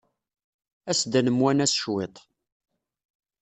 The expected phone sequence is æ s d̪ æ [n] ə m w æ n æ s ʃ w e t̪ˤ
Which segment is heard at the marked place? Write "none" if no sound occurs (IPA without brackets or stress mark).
n